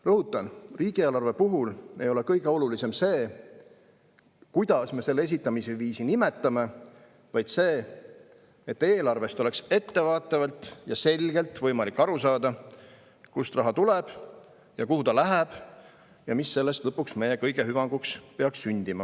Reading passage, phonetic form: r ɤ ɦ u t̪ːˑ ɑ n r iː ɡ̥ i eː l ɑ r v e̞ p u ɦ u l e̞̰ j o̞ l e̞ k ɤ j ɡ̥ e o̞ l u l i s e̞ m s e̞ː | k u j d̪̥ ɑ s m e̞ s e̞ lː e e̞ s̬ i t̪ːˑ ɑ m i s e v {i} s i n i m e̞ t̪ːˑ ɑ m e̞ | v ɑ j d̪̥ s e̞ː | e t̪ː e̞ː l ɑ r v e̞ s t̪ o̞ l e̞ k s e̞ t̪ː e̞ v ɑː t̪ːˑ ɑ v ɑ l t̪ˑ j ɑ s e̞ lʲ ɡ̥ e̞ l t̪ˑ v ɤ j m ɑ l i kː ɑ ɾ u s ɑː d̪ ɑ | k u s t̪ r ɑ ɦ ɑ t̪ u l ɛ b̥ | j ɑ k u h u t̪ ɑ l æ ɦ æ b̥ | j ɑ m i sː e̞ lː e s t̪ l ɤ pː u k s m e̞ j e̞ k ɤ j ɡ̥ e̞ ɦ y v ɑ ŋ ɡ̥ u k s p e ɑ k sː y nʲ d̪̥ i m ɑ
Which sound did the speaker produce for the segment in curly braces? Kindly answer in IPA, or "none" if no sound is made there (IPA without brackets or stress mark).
iː